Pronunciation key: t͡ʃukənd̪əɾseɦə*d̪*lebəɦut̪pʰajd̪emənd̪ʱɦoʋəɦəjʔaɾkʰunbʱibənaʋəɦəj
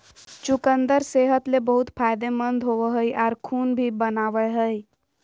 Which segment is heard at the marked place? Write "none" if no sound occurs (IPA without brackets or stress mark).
t̪